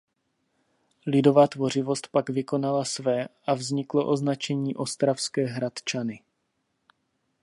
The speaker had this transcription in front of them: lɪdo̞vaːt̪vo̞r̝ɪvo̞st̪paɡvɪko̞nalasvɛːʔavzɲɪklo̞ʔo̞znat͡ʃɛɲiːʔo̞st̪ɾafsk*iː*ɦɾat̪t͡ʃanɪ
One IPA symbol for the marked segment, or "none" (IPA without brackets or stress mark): ɛː